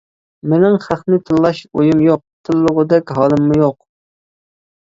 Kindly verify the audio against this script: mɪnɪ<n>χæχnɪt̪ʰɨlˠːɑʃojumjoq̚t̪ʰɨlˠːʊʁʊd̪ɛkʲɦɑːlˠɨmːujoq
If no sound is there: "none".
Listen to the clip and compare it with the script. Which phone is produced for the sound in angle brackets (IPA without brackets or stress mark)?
ŋ